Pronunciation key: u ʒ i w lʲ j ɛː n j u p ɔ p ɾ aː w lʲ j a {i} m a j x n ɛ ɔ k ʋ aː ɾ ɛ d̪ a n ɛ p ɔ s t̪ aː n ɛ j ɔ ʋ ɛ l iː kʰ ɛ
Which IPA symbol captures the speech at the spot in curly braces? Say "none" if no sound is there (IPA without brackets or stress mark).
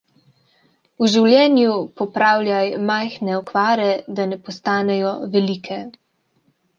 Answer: j